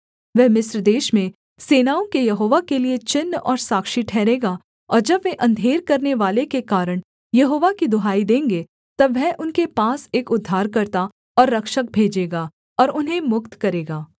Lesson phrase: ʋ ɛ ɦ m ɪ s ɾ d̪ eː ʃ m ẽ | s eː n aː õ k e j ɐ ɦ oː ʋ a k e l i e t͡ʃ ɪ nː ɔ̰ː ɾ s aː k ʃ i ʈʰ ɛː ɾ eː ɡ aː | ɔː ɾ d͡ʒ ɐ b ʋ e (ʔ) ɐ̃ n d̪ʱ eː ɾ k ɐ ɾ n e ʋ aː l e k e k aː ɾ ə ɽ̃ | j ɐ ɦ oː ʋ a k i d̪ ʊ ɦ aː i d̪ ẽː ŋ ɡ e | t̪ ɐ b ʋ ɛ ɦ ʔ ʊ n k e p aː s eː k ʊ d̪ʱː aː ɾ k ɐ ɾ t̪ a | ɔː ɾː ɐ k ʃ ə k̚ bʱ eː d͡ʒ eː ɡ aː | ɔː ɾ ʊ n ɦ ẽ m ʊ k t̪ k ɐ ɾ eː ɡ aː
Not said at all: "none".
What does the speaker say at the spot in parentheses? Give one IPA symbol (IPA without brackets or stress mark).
ʔ